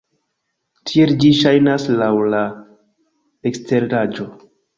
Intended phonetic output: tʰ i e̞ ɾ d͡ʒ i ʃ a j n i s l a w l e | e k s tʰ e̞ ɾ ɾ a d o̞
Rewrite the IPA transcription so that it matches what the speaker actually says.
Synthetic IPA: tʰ i e̞ l d͡ʒ i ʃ a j n a s l a w l a | e k s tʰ e̞ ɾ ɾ a d͡ʒ o̞